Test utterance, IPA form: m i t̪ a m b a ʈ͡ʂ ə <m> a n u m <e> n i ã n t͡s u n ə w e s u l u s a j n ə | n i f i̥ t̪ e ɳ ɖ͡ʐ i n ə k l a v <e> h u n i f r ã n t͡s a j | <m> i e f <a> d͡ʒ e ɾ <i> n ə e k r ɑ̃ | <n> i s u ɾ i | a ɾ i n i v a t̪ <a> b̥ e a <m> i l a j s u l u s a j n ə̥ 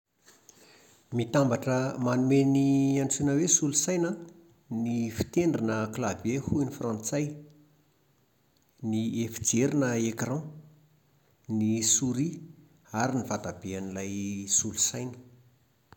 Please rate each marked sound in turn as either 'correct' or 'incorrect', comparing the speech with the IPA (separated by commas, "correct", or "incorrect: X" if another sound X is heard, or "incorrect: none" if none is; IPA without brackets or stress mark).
correct, correct, correct, incorrect: n, incorrect: i, correct, correct, correct, incorrect: n